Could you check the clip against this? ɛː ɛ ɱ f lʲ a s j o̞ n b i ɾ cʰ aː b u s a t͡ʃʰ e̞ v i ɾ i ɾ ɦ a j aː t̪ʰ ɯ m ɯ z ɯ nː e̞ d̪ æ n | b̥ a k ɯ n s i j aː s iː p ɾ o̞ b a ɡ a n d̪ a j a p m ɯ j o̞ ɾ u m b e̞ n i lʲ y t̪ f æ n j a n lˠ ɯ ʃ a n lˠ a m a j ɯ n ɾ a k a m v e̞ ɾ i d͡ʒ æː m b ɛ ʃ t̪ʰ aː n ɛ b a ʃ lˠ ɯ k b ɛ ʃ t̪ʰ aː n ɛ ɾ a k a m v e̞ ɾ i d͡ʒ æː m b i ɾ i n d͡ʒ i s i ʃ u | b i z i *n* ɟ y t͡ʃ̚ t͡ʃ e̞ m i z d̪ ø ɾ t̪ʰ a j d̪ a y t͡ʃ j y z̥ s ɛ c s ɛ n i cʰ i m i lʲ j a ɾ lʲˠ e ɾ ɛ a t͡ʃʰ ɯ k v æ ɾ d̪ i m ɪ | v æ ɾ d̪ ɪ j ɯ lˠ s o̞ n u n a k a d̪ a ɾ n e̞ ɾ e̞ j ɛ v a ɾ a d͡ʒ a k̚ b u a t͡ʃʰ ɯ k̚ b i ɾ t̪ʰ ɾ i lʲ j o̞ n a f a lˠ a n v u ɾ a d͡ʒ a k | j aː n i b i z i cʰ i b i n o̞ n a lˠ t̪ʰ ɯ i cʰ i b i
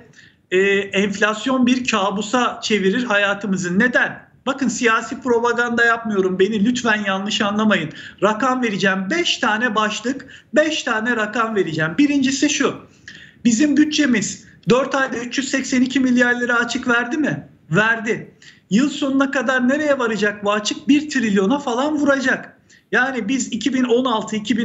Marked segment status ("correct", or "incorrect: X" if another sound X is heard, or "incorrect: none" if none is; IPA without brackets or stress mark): incorrect: m